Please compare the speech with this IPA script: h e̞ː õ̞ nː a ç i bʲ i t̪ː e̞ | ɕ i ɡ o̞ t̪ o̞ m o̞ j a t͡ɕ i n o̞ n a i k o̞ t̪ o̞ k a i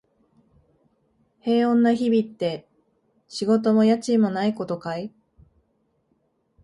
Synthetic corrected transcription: h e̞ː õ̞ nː a ç i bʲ i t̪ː e̞ | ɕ i ɡ o̞ t̪ o̞ m o̞ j a t͡ɕ i m o̞ n a i k o̞ t̪ o̞ k a i